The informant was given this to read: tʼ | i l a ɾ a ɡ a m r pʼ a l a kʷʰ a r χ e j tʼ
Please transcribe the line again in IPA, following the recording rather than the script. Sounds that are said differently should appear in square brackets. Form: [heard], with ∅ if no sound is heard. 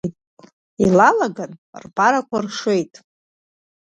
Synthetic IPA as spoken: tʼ | i l a [l] a ɡ a [n] r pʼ a [ɾ] a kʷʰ a r [ʂ] e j tʼ